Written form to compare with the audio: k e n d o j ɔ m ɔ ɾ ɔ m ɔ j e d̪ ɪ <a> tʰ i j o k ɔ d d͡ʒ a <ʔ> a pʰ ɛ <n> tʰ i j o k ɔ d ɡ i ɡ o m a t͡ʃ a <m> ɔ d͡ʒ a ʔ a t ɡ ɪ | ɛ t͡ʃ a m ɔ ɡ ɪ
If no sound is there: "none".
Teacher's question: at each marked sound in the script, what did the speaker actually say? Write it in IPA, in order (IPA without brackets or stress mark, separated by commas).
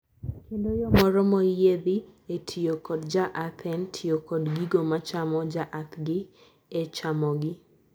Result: e, ʔ, n, m